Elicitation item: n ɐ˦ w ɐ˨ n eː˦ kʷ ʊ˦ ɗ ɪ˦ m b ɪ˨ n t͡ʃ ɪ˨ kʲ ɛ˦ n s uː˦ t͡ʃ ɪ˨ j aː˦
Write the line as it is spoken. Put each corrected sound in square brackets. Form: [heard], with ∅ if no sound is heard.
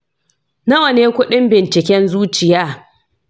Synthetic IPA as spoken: n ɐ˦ w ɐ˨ n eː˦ kʷ ʊ˦ ɗ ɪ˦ m b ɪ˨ n t͡ʃ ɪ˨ kʲ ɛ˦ n [z] uː˦ t͡ʃ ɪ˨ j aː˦